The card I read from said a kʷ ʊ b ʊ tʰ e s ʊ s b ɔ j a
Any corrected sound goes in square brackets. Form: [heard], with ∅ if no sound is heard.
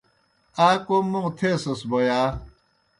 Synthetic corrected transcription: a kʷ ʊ [m] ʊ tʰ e s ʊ s b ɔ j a